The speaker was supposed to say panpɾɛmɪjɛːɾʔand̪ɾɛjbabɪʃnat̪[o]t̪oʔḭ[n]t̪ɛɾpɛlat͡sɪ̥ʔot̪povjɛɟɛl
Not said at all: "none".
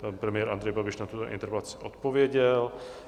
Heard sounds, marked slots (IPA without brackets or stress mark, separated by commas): u, n